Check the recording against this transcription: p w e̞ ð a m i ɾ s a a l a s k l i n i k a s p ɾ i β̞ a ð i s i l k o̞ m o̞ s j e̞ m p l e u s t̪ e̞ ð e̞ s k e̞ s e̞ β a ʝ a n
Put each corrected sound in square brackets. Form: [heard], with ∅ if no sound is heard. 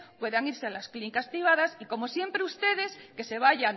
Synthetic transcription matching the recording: p w e̞ ð a [ŋ] i ɾ s [e] a l a s k l i n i k a s p ɾ i β̞ a ð [a] s i [∅] k o̞ m o̞ s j e̞ m p [ɾ] e u s t̪ e̞ ð e̞ s k e̞ s e̞ β a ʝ a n